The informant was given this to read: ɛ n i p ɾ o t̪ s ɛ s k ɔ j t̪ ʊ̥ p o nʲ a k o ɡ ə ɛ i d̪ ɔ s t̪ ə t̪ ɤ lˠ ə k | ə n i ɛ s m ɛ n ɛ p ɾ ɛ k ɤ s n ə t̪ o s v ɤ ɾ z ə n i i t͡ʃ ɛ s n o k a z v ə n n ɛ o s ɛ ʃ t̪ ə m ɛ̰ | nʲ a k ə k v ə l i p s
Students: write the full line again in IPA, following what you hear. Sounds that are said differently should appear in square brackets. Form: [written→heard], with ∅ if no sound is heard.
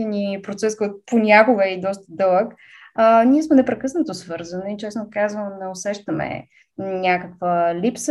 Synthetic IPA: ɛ n i p ɾ o t̪ s ɛ s k ɔ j t̪ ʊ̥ p o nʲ a k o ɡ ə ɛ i d̪ ɔ s t̪ ə [t̪→d̪] ɤ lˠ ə k | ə n i ɛ s m ɛ n ɛ p ɾ ɛ k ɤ s n ə t̪ o s v ɤ ɾ z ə n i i t͡ʃ ɛ s n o k a z v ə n n ɛ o s ɛ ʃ t̪ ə m ɛ̰ | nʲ a k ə k v ə l i p s